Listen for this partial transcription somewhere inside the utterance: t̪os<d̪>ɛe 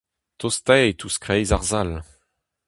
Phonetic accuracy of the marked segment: incorrect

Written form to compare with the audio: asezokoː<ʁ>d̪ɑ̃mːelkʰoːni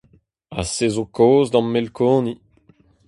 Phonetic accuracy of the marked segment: incorrect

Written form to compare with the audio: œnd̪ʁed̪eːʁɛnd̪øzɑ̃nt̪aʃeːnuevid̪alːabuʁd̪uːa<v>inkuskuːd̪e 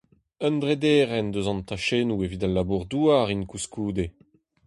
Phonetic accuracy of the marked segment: incorrect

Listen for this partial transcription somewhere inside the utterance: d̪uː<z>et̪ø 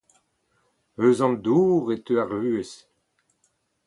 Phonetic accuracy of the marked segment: incorrect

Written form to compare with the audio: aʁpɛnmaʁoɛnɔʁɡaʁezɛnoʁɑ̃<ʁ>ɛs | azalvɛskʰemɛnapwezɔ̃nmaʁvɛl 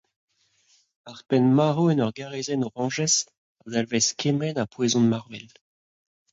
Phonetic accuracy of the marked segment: incorrect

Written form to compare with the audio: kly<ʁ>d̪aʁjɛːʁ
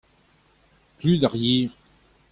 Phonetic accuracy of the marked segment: incorrect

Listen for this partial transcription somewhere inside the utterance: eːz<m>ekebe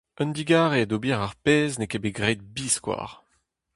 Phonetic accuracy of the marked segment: incorrect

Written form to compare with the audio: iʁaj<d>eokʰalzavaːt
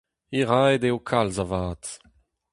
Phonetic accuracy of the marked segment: correct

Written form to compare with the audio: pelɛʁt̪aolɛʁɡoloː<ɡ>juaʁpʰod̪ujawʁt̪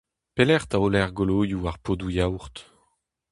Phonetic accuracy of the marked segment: incorrect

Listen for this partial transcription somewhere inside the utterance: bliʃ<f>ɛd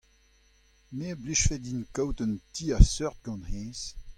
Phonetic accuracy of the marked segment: correct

